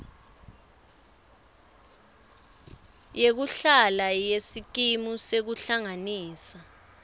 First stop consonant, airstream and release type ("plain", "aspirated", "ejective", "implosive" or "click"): plain